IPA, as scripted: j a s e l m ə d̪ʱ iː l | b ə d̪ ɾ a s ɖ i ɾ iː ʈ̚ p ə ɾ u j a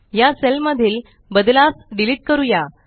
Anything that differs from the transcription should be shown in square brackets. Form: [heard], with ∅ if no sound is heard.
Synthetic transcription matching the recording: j a s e l m ə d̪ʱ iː l | b ə d̪ [l] a s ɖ i [l] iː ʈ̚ [k] ə ɾ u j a